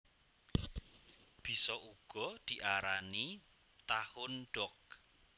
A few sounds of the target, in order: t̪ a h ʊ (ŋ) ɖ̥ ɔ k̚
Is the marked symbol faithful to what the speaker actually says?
no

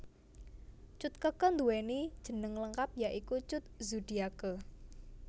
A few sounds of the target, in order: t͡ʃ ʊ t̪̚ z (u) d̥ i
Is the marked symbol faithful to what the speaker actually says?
yes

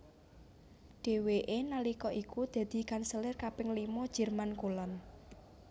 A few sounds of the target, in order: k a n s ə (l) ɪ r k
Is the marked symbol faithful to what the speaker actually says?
yes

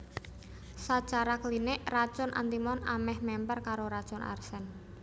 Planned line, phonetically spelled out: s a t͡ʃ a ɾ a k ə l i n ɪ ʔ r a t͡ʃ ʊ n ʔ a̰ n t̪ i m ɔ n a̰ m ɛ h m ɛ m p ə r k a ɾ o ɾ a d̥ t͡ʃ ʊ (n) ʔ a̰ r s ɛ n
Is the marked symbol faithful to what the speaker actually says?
yes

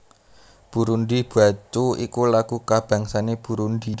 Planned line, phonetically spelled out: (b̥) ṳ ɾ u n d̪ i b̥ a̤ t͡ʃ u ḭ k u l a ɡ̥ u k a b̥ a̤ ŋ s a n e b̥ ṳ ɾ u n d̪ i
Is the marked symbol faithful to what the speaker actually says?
yes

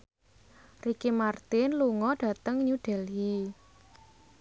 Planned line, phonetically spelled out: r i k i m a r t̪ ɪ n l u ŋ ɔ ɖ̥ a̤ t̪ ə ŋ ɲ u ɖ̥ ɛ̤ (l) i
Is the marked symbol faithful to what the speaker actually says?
yes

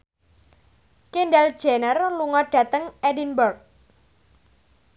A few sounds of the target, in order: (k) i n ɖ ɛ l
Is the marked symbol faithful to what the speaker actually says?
yes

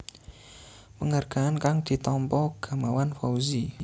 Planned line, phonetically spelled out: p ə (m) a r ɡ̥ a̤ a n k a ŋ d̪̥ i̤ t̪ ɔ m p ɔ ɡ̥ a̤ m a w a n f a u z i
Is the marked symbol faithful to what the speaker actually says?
no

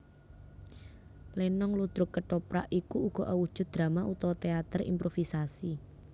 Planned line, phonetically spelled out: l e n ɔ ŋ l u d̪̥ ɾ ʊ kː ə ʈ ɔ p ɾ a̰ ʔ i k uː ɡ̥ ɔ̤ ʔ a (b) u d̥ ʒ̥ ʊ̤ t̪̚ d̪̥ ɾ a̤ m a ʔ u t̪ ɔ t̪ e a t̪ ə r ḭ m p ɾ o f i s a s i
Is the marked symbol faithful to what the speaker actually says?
no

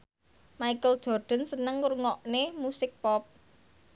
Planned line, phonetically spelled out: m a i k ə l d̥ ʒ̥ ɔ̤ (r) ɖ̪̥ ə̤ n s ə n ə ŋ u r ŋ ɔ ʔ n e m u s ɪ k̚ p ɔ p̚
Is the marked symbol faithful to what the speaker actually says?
yes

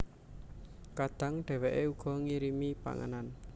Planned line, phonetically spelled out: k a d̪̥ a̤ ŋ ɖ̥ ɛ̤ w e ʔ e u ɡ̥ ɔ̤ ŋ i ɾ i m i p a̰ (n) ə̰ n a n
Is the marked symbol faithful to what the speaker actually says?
no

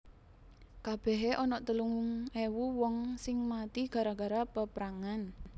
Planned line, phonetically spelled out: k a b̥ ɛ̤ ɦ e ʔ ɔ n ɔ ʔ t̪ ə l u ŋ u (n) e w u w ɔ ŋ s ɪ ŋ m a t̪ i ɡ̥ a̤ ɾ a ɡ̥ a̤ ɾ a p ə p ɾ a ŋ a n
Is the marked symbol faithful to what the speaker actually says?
no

